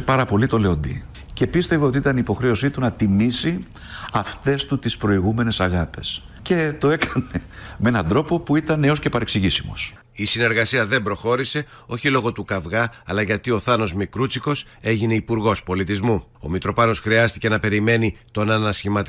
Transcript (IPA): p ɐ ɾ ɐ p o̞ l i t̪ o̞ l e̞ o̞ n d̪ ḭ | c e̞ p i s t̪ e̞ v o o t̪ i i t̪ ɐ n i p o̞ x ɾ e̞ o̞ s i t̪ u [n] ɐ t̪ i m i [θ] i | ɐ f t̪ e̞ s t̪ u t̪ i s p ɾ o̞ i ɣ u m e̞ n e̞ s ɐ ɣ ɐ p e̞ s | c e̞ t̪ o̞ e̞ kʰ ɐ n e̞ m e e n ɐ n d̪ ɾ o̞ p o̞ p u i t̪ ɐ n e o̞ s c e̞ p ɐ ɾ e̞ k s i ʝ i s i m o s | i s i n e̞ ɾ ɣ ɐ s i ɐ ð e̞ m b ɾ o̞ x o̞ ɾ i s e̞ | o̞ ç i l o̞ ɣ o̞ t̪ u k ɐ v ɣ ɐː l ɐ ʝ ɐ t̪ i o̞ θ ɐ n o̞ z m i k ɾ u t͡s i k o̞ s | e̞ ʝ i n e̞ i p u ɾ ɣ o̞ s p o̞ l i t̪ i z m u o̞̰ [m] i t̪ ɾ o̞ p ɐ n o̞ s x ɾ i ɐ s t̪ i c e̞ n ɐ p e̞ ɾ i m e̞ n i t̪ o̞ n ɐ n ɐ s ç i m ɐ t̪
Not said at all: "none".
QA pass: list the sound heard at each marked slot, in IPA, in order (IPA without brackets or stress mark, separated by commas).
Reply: n, s, m